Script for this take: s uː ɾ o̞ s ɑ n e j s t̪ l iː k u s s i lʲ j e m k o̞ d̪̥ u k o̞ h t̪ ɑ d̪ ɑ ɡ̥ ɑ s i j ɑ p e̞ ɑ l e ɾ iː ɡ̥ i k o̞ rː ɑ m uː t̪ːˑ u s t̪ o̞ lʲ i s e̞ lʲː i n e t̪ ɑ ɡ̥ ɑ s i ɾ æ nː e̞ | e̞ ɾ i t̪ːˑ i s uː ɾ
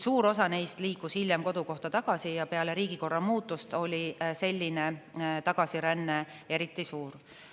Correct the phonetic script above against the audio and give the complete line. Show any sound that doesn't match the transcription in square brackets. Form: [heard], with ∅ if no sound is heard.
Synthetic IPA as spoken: s uː ɾ o̞ s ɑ n e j s t̪ l iː k u s [h] i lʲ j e m k o̞ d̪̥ u k o̞ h t̪ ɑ [t̪] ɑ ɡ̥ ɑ s i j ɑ p e̞ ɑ l e ɾ iː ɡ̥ i k o̞ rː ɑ m uː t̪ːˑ u s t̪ o̞ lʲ i s e̞ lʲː i n e t̪ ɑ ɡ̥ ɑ s i ɾ æ nː e̞ | e̞ ɾ i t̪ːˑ i s uː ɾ